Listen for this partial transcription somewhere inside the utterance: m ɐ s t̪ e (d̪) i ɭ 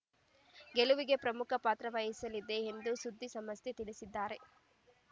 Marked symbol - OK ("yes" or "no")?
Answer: no